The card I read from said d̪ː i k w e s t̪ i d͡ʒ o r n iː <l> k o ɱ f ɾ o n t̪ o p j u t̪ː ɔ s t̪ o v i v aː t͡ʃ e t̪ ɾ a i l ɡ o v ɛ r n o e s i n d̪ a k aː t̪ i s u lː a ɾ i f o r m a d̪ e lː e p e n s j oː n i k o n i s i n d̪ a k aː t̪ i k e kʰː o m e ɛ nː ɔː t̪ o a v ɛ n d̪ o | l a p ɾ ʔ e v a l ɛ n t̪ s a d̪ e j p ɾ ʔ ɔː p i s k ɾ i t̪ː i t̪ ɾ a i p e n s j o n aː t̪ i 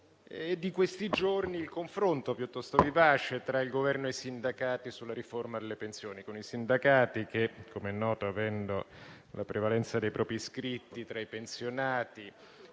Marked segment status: correct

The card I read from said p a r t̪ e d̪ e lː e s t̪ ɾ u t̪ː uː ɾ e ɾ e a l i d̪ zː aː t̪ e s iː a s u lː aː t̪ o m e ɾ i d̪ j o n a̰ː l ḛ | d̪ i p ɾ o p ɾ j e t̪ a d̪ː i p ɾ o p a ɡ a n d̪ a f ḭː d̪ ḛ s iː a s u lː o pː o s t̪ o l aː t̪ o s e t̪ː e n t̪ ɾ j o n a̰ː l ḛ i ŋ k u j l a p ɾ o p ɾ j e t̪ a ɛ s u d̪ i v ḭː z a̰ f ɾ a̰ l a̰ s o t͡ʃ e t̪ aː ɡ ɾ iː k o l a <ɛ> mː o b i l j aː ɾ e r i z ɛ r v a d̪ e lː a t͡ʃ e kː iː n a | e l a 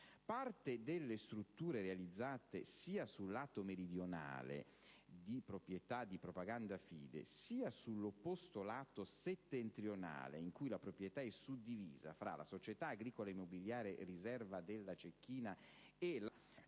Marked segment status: incorrect: i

